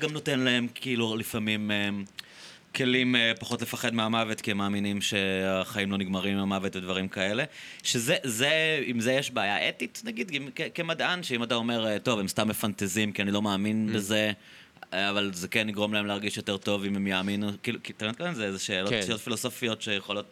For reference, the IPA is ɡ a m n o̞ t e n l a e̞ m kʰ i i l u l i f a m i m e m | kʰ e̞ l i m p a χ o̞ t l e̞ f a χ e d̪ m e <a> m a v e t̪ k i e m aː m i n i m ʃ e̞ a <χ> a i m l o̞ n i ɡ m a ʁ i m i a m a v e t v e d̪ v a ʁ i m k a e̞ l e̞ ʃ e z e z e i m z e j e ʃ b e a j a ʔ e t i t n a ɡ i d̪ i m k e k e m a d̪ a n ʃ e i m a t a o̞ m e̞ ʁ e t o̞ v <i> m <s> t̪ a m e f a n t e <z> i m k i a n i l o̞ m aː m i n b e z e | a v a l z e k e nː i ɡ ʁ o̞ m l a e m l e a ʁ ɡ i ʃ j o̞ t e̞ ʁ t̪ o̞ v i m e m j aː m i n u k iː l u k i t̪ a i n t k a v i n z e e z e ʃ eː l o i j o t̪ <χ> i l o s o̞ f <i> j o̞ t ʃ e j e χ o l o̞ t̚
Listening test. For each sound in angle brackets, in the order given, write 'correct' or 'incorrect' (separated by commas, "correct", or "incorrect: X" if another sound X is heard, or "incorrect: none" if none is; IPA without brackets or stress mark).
correct, correct, incorrect: e, correct, correct, incorrect: f, correct